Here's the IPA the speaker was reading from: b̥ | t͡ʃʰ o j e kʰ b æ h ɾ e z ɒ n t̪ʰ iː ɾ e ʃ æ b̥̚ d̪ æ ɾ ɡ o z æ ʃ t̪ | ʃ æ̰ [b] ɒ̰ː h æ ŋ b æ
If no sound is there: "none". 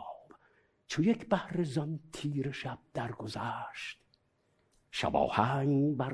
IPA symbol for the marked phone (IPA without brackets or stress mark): b